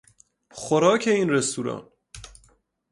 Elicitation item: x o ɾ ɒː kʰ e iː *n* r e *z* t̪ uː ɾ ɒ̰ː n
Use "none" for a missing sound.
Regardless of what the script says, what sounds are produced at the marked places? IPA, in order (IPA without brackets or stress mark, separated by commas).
n, s